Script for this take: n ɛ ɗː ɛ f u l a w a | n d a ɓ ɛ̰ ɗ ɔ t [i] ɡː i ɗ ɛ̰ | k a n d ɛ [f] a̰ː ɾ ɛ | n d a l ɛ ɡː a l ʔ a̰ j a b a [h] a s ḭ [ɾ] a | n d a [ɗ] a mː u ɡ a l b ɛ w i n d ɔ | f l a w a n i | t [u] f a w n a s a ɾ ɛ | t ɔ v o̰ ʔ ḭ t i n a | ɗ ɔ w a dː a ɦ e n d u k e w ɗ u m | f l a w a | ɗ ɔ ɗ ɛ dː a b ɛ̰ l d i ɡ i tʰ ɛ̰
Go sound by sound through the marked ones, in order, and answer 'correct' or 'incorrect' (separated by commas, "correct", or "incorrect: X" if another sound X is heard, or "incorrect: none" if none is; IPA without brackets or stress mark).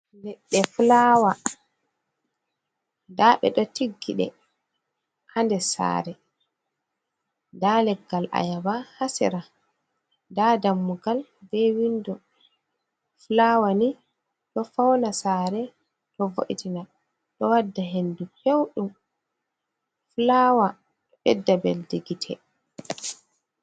correct, incorrect: s, correct, correct, incorrect: d, incorrect: ɔ